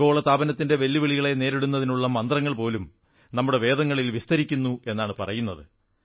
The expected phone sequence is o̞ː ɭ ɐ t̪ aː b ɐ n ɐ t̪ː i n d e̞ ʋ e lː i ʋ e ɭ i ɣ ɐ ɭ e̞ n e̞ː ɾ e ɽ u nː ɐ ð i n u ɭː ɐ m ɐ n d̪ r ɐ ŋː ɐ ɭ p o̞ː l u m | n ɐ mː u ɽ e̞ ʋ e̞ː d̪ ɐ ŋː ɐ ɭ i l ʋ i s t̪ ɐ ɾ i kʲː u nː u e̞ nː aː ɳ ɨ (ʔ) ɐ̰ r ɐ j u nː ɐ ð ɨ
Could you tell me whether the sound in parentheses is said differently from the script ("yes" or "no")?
yes